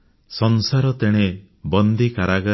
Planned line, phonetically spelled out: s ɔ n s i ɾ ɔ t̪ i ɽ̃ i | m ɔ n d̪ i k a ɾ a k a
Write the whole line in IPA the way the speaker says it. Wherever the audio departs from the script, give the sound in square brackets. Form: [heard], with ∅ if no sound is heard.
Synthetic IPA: s ɔ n s [a] ɾ ɔ t̪ [e] ɽ̃ [e] | [b] ɔ n d̪ i k a ɾ a [ɡ] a